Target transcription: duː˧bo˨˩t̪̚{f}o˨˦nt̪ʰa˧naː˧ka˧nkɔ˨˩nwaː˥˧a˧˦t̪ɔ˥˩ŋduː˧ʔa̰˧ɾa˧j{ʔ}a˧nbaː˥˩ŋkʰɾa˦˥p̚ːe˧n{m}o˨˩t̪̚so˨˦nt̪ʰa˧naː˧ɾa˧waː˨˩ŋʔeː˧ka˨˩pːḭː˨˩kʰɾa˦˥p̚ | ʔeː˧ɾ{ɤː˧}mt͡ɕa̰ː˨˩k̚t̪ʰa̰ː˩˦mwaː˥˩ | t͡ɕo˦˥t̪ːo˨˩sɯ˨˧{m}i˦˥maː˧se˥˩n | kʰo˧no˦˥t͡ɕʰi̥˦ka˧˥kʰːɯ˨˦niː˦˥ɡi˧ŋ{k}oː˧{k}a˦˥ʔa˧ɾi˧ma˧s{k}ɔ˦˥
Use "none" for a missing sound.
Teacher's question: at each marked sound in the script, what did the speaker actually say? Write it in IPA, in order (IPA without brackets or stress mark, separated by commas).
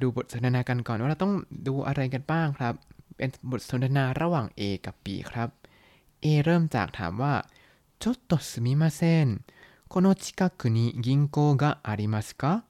s, k, b, ɤː˥˩, m, k, ɡ, k